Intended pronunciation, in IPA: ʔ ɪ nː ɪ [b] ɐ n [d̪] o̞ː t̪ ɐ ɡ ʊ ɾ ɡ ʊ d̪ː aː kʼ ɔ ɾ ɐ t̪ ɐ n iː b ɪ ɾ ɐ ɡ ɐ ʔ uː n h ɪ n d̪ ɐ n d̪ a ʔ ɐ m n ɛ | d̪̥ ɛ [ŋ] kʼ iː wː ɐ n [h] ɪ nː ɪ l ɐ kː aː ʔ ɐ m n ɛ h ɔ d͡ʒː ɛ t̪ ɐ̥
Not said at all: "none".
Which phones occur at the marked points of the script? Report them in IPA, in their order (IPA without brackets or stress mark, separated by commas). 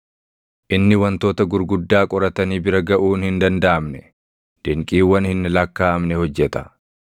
w, t̪, ŋ, h